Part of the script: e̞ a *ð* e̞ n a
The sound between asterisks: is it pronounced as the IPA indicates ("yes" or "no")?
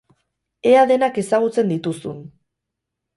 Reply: yes